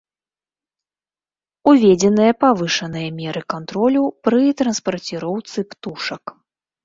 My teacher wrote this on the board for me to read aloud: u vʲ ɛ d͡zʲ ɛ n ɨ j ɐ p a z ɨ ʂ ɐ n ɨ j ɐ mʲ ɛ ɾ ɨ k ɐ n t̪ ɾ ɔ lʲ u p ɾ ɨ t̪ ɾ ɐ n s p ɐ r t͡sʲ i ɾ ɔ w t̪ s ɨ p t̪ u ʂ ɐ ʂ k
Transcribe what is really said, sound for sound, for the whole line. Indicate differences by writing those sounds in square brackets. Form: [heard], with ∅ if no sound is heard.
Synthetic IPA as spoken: u vʲ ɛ d͡zʲ ɛ n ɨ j ɐ p a [v] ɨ ʂ ɐ n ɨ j ɐ mʲ ɛ ɾ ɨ k [a] n t̪ ɾ ɔ lʲ u p ɾ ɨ t̪ ɾ ɐ n s p ɐ r t͡sʲ i ɾ ɔ w t̪ s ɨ p t̪ u ʂ ɐ [∅] k